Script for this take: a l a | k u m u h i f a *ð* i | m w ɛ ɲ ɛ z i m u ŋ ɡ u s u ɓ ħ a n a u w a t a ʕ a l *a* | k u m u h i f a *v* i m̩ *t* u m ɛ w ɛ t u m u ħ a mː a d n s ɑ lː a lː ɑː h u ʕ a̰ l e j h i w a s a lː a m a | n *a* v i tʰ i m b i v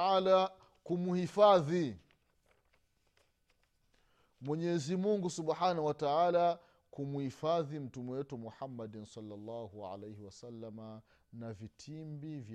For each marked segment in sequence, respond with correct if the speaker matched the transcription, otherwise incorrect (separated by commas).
correct, correct, incorrect, correct, correct